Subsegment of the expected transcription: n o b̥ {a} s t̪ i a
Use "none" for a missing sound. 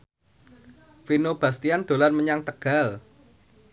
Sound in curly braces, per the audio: a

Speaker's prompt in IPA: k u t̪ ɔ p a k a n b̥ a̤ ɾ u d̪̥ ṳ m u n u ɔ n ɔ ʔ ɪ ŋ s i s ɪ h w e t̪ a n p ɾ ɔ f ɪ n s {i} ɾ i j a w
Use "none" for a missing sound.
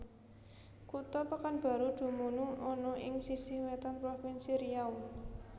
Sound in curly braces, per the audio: i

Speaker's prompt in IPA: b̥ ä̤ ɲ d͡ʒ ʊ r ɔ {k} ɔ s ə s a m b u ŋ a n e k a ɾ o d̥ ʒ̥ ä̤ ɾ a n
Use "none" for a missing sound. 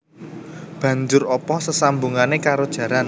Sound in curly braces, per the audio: p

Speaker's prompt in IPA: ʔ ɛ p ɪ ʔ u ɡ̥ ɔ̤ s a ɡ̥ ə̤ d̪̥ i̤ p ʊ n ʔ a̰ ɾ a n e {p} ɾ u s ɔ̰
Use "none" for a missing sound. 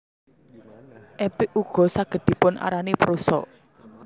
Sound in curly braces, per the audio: p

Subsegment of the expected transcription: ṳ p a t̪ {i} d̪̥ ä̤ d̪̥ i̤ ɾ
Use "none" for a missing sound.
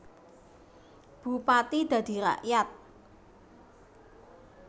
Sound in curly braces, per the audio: i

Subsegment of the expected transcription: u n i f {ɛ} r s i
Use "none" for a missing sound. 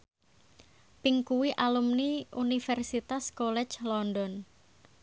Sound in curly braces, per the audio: ɛ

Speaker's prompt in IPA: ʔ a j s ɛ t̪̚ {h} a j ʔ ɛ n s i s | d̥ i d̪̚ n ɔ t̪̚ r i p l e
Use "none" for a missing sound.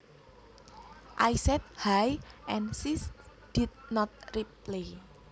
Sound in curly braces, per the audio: h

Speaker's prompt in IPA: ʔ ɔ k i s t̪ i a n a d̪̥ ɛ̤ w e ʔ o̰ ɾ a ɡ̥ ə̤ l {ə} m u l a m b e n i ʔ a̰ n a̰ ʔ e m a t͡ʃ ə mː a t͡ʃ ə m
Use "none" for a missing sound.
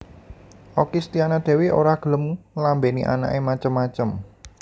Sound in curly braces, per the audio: ə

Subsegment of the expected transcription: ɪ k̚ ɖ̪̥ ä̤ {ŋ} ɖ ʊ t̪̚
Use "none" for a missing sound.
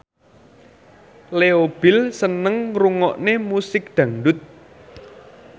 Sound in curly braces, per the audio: ŋ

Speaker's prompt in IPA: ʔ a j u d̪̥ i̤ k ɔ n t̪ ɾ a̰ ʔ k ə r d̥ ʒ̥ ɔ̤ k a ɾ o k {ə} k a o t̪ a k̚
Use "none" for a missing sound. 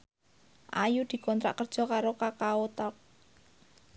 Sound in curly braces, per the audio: a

